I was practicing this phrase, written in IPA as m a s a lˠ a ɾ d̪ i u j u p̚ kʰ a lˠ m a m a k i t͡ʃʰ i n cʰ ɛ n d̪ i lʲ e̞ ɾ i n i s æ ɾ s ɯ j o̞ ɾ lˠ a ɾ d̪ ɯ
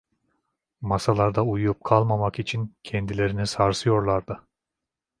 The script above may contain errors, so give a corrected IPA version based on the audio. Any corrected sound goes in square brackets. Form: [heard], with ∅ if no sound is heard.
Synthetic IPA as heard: m a s a lˠ a ɾ d̪ [a] u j u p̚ kʰ a lˠ m a m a k i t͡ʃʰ i n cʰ ɛ n d̪ i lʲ e̞ ɾ i n i s [a] ɾ s ɯ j o̞ ɾ lˠ a ɾ d̪ ɯ